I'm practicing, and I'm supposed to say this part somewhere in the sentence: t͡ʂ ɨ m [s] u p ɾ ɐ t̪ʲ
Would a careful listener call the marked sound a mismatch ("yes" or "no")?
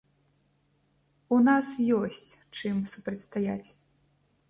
no